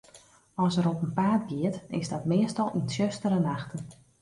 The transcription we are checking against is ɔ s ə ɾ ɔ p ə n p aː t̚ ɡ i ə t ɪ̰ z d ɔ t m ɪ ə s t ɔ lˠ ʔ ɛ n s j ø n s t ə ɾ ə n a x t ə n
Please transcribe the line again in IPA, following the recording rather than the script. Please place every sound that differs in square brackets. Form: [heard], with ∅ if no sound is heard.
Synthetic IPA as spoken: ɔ s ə ɾ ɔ p ə n p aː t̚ ɡ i ə t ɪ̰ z d ɔ t m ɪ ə s t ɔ lˠ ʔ [i] n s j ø [∅] s t ə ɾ ə n a x t ə n